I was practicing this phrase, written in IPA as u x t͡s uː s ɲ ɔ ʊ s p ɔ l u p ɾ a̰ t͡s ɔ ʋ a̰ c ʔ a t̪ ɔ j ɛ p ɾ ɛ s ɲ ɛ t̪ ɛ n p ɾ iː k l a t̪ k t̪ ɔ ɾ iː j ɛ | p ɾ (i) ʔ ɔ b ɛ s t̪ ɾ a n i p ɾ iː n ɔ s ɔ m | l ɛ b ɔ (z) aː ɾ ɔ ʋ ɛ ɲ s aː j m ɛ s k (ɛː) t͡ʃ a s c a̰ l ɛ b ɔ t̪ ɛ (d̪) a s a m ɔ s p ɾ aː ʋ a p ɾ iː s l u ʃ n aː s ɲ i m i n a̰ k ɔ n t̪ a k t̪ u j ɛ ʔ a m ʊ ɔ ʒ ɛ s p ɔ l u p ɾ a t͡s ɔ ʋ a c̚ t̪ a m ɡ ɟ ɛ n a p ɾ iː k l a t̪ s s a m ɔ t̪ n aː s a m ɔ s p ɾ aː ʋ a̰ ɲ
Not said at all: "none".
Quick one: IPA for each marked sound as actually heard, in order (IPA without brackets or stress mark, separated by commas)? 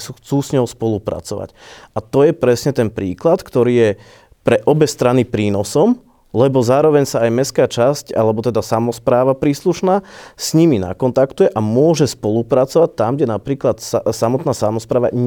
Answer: ɛ, z, aː, d̪